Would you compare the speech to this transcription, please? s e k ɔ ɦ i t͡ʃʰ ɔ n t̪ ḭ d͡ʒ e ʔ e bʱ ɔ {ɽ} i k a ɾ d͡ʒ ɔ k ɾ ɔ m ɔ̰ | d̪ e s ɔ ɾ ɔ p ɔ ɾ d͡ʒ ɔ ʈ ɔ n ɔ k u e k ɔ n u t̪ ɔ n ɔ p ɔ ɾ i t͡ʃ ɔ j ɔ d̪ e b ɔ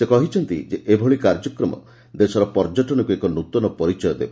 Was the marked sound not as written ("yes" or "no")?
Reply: yes